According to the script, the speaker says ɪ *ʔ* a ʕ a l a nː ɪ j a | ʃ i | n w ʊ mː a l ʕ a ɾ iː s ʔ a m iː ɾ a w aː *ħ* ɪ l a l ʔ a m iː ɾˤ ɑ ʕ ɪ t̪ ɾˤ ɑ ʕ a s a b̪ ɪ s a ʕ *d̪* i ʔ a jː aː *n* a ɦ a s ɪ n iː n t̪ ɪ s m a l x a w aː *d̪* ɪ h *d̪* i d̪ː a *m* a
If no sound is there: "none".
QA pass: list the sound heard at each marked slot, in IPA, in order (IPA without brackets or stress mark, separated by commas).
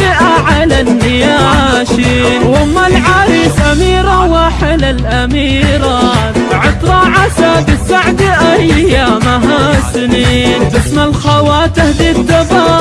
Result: ʔ, ħ, d̪, m, t̪, d̪, b